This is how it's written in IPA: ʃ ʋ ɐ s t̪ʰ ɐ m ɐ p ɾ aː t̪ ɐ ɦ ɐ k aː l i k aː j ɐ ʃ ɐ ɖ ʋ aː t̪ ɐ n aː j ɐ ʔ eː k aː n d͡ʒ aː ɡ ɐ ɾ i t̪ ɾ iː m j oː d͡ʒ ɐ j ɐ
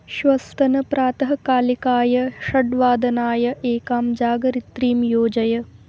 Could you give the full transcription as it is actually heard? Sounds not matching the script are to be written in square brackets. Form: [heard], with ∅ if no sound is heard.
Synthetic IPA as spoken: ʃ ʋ ɐ s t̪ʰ ɐ [n] ɐ p ɾ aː t̪ ɐ ɦ ɐ k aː l i k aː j ɐ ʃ ɐ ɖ ʋ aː [d̪] ɐ n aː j ɐ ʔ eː k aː [m] d͡ʒ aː ɡ ɐ ɾ i t̪ ɾ iː m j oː d͡ʒ ɐ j ɐ